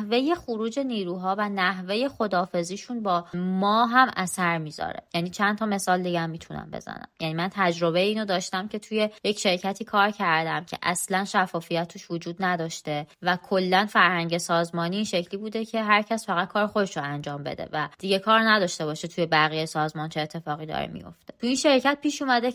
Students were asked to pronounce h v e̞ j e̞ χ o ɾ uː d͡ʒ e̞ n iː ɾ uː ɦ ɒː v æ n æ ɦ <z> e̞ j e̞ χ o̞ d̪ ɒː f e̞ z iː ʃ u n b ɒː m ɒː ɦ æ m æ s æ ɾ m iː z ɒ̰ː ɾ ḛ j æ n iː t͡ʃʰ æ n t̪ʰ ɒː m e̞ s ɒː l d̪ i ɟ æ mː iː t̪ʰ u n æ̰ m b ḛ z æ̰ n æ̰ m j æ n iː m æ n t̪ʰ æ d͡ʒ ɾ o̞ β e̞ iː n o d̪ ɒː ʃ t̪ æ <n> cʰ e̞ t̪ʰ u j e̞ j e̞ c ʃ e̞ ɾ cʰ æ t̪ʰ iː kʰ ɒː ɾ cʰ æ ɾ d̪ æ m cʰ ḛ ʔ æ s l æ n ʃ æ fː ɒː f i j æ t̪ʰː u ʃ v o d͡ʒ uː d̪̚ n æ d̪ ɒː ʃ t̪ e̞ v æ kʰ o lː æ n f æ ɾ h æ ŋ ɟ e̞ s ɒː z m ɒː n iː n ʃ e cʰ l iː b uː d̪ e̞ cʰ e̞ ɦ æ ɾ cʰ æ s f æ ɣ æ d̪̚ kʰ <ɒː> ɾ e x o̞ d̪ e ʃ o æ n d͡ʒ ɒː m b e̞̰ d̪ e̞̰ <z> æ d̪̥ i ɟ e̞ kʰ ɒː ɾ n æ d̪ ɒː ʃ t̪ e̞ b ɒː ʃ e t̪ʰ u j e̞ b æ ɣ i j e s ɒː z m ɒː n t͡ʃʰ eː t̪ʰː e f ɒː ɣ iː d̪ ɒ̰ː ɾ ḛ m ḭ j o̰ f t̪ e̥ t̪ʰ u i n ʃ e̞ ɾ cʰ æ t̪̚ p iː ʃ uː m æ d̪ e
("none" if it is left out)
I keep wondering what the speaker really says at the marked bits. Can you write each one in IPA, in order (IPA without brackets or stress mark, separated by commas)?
v, m, ɒː, v